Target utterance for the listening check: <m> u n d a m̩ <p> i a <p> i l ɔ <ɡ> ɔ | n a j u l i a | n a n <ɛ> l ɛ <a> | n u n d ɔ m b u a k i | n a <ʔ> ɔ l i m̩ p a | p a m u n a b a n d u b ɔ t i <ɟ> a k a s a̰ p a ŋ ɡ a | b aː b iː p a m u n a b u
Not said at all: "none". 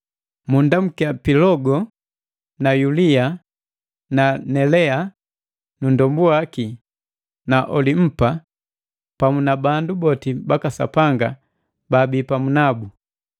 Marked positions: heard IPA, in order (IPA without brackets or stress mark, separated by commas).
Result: m, k, p, ɡ, ɛ, a, ʔ, b